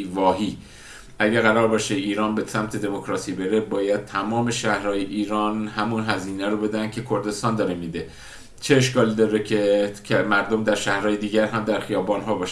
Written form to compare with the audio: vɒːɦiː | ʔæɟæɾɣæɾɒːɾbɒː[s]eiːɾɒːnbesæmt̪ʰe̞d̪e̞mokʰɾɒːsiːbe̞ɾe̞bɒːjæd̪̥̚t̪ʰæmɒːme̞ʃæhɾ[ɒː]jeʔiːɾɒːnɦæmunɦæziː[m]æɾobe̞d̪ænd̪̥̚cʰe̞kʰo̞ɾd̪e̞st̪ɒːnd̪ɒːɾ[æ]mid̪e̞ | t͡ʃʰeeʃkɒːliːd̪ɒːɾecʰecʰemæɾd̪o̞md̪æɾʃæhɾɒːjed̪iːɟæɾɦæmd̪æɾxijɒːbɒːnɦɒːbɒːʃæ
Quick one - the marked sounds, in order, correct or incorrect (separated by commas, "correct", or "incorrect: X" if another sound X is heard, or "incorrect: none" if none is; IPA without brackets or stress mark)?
incorrect: ʃ, correct, incorrect: n, incorrect: e